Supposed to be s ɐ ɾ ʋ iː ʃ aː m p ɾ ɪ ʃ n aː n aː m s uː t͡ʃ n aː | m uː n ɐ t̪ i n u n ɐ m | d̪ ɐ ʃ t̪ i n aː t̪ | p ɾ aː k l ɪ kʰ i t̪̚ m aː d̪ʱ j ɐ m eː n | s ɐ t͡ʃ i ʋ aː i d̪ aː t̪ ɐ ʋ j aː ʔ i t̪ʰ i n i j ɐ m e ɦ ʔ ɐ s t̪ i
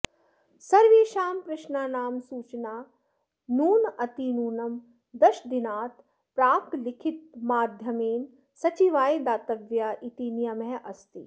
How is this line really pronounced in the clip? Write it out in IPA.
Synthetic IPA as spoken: s ɐ ɾ ʋ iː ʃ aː m p ɾ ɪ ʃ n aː n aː m s uː t͡ʃ n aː | n uː n ɐ t̪ i n uː n ɐ m | d̪ ɐ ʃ d̪ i n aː t̪ | p ɾ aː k l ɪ kʰ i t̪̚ m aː d̪ʱ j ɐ m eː n | s ɐ t͡ʃ i ʋ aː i d̪ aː t̪ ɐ ʋ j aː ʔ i t̪ i n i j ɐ m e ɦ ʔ ɐ s t̪ i